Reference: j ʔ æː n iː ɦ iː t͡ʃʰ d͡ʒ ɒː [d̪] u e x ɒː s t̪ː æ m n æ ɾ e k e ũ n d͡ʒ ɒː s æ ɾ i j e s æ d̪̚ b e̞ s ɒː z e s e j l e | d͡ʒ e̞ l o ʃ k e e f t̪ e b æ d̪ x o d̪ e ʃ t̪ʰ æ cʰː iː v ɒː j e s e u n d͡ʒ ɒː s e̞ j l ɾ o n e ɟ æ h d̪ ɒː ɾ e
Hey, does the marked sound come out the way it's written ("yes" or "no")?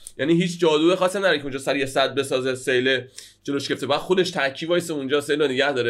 yes